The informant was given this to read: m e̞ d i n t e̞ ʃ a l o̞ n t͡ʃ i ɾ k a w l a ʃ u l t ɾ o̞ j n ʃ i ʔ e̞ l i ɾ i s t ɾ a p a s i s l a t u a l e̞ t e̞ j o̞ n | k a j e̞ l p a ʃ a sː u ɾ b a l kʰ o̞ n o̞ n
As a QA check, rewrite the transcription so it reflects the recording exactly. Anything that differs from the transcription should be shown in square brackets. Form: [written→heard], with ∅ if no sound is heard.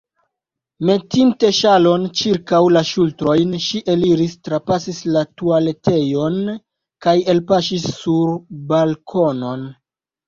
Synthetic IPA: m e̞ [d→t] i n t e̞ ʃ a l o̞ n t͡ʃ i ɾ k a w l a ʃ u l t ɾ o̞ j n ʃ i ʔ e̞ l i ɾ i s t ɾ a p a s i s l a t u a l e̞ t e̞ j o̞ n | k a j e̞ l p a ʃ [a→i] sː u ɾ b a l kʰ o̞ n o̞ n